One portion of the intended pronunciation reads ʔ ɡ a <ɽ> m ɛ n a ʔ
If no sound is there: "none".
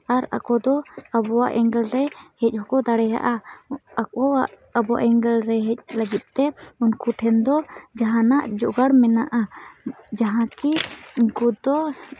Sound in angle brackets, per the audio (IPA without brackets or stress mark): ɽ